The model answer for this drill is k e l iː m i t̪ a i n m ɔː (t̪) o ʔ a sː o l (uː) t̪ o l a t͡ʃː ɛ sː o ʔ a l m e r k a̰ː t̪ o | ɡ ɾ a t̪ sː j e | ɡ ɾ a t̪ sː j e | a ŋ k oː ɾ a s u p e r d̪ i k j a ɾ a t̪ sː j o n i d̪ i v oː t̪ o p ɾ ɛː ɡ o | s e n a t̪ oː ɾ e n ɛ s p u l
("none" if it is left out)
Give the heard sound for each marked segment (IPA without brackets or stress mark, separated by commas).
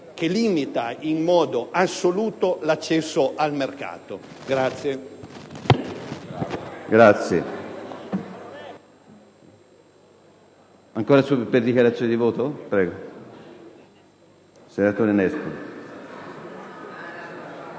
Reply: d̪, uː